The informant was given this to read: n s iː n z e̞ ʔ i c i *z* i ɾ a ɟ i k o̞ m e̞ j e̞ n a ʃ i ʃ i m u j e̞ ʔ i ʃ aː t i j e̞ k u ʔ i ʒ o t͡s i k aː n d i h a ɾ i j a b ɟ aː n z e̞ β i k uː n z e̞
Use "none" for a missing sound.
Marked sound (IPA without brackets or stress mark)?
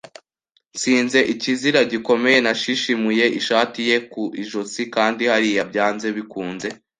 z